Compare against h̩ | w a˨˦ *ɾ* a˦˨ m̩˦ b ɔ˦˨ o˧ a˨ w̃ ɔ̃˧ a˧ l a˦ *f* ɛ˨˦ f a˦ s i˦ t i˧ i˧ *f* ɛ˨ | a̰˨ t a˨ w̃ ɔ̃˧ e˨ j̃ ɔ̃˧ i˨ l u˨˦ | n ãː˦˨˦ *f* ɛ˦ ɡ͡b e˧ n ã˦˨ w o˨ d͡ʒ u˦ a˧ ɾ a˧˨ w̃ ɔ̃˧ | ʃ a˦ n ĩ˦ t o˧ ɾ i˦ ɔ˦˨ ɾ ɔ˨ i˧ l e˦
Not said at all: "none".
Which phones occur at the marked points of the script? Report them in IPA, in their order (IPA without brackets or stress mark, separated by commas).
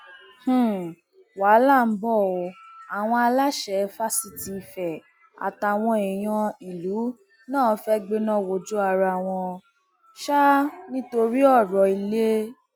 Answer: l, ʃ, f, f